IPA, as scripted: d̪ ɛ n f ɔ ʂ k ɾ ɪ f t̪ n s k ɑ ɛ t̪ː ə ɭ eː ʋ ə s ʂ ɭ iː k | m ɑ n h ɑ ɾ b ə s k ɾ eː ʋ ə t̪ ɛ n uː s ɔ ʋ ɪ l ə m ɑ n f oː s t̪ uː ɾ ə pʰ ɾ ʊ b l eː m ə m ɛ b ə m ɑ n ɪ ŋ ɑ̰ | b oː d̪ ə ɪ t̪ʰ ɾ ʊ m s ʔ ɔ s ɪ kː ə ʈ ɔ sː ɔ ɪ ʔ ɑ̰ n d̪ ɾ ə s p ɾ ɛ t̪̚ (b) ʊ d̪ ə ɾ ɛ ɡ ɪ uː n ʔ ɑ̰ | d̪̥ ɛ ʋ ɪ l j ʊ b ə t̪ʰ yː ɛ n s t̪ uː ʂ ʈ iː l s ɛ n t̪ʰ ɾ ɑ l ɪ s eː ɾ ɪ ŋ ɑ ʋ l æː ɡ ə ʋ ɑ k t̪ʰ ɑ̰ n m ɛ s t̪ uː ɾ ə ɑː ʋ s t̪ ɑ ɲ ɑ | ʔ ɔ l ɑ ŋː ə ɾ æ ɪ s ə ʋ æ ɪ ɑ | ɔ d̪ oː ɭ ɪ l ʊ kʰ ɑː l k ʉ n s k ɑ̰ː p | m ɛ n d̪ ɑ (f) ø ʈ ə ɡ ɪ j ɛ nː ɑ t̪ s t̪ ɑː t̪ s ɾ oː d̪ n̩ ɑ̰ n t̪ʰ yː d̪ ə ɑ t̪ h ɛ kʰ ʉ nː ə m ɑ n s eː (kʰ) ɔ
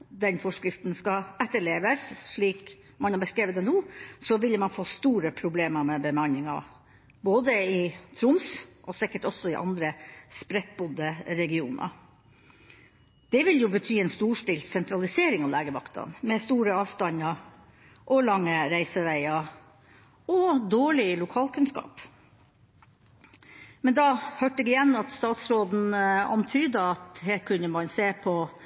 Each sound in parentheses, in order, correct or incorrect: correct, incorrect, incorrect

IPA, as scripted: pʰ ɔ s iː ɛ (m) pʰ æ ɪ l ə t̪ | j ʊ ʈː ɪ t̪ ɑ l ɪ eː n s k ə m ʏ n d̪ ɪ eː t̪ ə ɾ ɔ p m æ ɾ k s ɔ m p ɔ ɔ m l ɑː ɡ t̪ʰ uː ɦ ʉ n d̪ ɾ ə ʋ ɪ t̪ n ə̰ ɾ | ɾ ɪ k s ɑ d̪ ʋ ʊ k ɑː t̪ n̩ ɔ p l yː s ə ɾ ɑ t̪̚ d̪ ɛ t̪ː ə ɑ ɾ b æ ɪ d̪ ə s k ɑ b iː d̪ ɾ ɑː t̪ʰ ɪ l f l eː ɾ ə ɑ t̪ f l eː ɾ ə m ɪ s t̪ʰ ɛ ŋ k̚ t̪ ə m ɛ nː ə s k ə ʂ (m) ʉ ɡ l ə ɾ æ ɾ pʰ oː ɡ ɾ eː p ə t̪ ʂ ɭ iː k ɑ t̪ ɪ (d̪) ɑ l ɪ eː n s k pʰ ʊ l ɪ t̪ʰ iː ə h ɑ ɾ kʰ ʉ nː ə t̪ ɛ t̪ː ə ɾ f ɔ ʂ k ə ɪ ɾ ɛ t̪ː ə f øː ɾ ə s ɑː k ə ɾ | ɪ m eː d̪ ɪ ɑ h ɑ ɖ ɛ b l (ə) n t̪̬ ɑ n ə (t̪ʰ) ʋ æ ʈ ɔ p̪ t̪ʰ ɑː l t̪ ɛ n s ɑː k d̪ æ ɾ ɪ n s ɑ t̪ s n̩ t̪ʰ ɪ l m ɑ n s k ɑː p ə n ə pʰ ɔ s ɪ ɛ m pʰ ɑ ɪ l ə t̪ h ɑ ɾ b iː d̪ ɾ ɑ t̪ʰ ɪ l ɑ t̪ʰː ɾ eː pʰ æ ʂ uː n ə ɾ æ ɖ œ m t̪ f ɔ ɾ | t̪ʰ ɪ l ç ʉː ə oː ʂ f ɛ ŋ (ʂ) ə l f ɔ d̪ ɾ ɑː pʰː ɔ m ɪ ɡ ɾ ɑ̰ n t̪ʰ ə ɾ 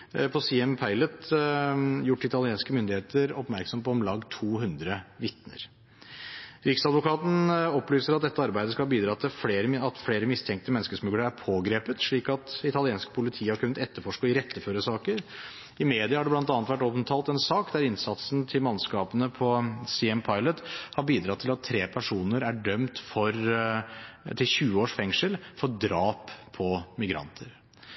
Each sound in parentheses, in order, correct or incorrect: correct, correct, incorrect, incorrect, incorrect, correct

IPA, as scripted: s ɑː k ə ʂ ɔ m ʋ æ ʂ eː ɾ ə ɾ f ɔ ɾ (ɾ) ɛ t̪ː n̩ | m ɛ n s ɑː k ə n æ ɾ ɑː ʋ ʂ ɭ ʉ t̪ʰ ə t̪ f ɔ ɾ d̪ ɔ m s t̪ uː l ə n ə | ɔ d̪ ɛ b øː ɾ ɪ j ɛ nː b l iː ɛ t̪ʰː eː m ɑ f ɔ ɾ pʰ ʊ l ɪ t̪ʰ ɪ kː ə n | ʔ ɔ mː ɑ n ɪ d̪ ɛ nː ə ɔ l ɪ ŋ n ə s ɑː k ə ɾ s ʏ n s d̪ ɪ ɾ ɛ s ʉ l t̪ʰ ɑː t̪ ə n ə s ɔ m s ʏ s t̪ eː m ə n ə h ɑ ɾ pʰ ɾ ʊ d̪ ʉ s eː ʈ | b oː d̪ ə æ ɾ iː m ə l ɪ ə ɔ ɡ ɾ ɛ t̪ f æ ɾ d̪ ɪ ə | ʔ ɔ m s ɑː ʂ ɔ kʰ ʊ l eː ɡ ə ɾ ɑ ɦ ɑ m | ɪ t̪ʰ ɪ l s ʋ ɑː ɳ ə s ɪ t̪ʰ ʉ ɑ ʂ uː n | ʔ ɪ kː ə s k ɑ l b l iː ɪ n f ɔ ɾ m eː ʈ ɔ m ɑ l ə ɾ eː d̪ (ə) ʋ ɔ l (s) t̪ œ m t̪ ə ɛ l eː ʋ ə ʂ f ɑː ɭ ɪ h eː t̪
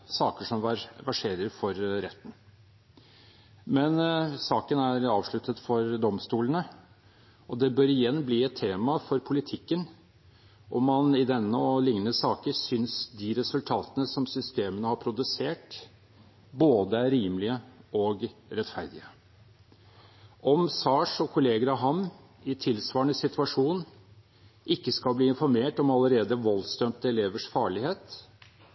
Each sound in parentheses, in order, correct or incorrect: correct, correct, correct

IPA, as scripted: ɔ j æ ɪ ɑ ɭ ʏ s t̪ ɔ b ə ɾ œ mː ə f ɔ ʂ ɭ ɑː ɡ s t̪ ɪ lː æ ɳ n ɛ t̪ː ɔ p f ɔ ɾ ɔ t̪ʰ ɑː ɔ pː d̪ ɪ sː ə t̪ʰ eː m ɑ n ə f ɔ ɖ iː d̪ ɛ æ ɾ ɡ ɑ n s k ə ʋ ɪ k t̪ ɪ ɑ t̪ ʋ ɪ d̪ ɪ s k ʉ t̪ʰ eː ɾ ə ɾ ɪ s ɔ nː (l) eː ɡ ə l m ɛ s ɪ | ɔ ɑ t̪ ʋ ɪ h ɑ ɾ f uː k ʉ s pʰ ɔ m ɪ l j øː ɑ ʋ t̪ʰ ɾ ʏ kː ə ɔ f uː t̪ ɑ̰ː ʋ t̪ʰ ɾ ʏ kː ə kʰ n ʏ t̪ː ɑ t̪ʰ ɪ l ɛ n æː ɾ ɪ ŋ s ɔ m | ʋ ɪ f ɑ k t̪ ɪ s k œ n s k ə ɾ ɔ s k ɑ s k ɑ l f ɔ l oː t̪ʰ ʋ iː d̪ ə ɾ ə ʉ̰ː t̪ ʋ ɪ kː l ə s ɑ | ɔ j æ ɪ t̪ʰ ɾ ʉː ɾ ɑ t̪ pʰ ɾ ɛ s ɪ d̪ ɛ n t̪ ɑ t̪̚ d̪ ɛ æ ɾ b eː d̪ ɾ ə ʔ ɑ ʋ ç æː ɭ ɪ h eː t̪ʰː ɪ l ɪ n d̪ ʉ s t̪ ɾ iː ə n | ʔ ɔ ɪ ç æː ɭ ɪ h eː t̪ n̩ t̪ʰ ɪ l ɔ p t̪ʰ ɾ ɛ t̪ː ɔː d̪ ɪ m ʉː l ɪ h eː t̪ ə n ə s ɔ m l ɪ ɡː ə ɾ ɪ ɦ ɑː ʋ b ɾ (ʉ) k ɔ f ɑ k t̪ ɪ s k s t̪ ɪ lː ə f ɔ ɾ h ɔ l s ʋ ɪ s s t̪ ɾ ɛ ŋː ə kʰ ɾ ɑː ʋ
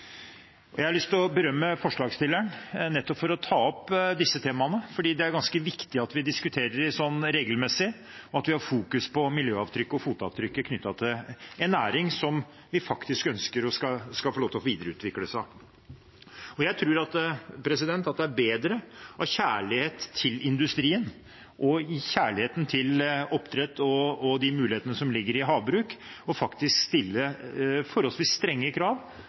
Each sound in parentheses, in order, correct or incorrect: incorrect, incorrect

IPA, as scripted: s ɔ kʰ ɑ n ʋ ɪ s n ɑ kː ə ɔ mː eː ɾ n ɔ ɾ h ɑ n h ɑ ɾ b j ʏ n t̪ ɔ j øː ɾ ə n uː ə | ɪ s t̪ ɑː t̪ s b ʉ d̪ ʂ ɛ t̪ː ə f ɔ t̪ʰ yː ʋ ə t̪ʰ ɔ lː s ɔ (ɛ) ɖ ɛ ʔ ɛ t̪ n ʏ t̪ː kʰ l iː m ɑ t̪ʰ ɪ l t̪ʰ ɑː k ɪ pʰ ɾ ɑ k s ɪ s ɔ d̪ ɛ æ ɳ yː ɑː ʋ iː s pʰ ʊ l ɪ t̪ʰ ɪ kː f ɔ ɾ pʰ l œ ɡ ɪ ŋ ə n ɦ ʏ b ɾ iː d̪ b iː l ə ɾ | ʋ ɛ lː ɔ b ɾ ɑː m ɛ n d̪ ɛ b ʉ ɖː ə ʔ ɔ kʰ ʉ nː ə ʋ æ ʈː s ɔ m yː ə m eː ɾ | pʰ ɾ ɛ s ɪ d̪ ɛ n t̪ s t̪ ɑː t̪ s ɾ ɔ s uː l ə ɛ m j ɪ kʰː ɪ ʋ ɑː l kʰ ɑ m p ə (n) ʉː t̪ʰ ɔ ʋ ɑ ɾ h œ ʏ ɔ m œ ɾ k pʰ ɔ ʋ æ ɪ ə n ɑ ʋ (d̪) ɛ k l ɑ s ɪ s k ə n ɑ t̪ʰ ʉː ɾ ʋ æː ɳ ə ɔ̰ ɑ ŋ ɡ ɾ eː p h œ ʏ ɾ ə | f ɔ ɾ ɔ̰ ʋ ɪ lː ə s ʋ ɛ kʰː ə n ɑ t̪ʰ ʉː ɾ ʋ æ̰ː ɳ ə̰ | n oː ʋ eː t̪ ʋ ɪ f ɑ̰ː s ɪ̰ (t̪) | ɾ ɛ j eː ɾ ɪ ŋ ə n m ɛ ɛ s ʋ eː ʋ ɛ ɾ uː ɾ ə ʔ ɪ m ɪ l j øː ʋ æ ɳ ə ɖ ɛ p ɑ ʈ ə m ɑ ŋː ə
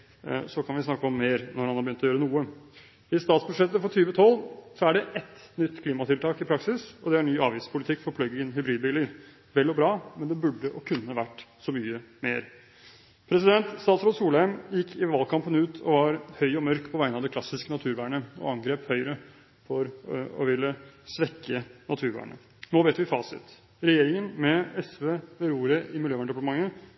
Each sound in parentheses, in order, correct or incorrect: incorrect, correct, correct, correct

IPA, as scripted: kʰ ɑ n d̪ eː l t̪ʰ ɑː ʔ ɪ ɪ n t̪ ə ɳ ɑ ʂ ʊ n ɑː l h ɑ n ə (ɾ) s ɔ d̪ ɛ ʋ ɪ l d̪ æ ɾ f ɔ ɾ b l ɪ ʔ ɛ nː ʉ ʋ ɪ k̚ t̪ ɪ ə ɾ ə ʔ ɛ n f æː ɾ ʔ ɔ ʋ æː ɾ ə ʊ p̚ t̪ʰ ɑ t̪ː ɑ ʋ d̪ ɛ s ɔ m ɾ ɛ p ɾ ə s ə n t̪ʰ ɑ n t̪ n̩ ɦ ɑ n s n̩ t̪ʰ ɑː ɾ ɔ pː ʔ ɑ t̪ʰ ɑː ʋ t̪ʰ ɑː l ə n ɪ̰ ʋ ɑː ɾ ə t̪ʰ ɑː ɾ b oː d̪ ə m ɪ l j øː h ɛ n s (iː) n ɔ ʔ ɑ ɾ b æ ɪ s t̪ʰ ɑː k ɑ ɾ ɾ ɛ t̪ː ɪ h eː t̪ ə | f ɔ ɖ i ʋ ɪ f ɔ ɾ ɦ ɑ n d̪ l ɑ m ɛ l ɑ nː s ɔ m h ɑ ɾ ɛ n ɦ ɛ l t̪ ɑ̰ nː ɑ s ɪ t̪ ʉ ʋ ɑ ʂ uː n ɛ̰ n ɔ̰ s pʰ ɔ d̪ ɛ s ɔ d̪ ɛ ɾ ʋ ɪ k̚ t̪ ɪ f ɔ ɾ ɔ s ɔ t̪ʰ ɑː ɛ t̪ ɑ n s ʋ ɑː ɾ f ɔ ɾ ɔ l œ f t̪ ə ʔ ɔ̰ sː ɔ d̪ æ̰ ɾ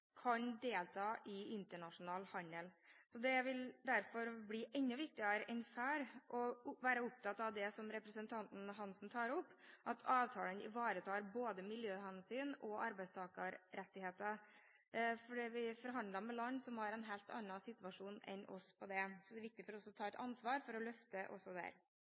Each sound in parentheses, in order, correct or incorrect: incorrect, incorrect

